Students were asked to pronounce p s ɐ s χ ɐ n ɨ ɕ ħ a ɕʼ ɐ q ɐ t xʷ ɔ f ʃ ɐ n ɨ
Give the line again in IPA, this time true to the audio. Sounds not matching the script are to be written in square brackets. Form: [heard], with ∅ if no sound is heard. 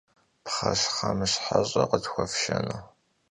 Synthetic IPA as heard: p [χ] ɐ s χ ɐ [m] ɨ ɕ ħ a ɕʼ ɐ q [ə] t xʷ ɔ f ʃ ɐ n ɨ